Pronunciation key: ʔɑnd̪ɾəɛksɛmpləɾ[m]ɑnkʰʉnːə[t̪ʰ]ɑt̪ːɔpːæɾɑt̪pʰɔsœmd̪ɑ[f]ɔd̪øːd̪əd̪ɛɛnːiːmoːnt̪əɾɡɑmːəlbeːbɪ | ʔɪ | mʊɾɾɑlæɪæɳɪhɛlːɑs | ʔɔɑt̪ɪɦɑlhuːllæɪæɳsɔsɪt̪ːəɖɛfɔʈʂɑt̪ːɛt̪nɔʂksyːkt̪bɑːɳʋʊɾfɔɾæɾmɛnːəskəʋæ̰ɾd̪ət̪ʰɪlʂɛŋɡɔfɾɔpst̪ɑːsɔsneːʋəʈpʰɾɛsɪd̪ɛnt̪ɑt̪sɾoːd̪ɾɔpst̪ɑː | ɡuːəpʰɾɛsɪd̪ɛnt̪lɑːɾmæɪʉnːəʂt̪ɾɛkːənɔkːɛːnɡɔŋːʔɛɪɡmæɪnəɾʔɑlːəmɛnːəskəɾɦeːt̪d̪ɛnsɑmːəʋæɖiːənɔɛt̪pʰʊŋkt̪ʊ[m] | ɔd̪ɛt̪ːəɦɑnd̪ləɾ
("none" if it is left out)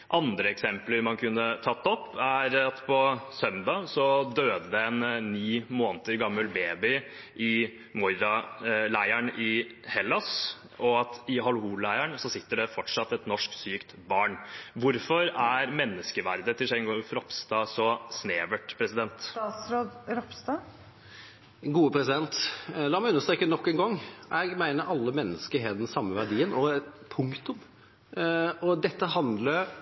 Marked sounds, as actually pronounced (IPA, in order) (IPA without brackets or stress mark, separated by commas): m, t̪ʰ, s, m